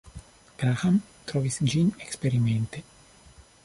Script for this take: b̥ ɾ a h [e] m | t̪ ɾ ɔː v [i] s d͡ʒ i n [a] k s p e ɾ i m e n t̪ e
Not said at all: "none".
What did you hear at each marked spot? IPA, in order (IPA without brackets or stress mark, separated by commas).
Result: a, i, e